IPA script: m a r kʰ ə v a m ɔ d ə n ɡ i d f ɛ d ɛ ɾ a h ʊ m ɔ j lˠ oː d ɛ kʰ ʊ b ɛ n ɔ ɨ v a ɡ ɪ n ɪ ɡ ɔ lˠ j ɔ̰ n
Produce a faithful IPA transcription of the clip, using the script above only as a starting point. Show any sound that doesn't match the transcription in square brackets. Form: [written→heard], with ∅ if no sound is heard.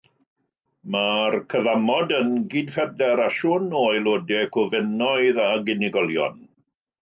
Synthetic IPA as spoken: m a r kʰ ə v a m ɔ d ə n ɡ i d f ɛ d ɛ ɾ a [h→ʃ] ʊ [m→n] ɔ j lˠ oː d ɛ kʰ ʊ [b→v] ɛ n ɔ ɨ [v→ð] a ɡ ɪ n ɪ ɡ ɔ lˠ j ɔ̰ n